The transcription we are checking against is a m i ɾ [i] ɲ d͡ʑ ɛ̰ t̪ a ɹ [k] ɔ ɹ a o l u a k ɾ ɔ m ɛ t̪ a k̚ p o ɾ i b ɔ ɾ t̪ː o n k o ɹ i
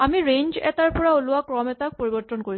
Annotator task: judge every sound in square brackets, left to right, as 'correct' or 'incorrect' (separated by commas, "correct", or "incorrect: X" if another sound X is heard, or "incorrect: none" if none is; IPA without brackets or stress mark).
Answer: incorrect: e, incorrect: p